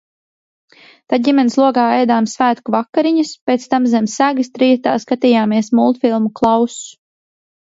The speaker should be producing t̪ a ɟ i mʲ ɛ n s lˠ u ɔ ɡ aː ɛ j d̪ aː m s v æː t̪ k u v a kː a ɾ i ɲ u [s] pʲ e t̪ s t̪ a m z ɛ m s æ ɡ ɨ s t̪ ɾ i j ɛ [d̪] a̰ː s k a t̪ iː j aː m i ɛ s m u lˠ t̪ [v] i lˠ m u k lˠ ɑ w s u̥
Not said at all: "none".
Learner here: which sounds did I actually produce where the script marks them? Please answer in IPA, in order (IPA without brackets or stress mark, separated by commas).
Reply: s, t̪, f